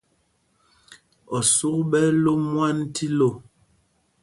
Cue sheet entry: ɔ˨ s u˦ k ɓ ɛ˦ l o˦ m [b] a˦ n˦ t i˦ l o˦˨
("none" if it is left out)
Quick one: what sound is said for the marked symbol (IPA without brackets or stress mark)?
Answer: w